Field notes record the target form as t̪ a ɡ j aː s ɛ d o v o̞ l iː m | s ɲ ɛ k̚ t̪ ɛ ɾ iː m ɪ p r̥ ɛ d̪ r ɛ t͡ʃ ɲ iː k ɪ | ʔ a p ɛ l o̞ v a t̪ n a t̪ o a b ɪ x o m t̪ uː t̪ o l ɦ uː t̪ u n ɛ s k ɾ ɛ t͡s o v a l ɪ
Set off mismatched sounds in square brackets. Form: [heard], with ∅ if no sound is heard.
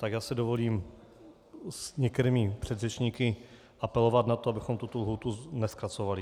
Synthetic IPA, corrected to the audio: t̪ a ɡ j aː s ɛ d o v o̞ l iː m | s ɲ ɛ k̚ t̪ ɛ ɾ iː m ɪ p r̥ ɛ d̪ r ɛ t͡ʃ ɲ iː k ɪ | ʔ a p ɛ l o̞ v a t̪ n a t̪ o a b ɪ x o m t̪ [u] t̪ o l ɦ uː t̪ u n ɛ s k ɾ [a] t͡s o v a l ɪ